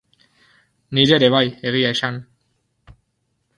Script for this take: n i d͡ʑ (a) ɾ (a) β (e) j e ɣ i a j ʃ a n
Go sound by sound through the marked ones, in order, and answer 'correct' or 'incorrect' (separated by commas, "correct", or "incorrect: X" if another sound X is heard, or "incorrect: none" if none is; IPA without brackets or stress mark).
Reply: incorrect: e, incorrect: e, incorrect: a